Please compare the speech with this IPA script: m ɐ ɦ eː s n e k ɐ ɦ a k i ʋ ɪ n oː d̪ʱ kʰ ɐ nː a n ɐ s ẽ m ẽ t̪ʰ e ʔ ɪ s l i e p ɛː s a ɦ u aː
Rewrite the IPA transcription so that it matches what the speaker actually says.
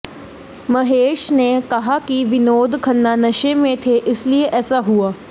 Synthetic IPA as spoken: m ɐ ɦ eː ʃ n e k ɐ ɦ a k i ʋ ɪ n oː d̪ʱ kʰ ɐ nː a n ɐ ʃ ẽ m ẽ t̪ʰ e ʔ ɪ s l i e ʔ ɛː s a ɦ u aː